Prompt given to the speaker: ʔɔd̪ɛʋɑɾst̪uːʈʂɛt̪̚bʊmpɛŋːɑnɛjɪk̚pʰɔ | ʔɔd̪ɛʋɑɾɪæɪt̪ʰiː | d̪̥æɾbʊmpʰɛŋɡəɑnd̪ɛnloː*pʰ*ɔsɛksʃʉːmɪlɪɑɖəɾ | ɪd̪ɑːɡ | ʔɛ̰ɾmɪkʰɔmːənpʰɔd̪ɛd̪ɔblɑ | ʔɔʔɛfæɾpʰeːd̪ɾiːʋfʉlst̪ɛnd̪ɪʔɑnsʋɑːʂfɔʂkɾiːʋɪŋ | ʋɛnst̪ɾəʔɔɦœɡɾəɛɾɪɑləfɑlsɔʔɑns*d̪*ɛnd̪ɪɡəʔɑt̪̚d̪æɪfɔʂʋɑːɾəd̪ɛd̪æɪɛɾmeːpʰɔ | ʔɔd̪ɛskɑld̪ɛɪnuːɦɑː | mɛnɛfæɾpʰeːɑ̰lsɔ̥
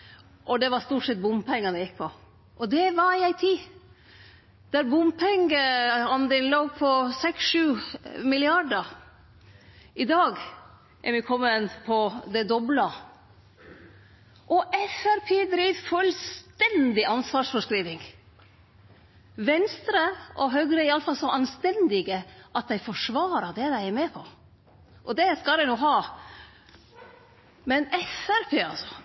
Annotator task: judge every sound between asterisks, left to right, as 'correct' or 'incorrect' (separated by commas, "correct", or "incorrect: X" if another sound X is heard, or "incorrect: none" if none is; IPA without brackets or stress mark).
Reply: correct, incorrect: t̪